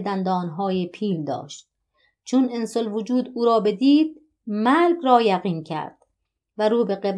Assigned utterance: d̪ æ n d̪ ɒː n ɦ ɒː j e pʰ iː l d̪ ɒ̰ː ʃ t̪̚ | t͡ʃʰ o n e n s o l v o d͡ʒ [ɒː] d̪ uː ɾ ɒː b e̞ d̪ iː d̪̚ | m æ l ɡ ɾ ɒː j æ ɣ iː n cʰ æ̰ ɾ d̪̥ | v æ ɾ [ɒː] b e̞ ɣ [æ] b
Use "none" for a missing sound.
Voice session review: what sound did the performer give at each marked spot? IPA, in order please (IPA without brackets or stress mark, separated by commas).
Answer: uː, uː, e